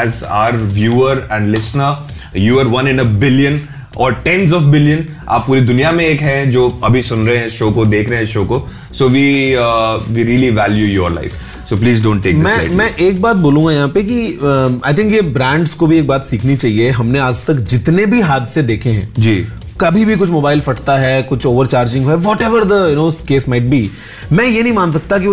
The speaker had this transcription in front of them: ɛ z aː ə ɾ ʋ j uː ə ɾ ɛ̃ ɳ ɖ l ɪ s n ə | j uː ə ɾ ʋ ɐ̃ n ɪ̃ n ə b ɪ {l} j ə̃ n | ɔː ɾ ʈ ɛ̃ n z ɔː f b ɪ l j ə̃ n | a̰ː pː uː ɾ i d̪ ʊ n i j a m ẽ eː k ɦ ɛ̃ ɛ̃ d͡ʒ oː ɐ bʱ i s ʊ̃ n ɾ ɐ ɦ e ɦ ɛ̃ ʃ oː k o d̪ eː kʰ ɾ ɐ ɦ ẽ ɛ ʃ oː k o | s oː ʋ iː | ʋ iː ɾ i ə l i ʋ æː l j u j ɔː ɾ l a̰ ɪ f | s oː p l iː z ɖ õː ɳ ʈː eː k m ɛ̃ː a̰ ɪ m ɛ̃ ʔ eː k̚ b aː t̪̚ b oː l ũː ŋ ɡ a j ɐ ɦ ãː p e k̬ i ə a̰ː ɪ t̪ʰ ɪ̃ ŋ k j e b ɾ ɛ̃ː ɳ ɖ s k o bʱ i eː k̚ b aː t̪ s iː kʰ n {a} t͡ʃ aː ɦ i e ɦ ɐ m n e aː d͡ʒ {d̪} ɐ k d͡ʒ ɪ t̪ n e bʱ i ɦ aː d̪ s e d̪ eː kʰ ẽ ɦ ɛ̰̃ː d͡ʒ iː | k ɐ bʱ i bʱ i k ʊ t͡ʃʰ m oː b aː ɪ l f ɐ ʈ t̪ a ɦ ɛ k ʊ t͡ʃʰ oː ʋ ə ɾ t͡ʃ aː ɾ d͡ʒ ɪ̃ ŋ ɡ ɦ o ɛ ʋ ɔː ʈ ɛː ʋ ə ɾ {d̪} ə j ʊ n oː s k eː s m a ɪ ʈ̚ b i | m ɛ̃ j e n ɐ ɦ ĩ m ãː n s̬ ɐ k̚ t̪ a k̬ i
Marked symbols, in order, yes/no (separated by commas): yes, no, no, yes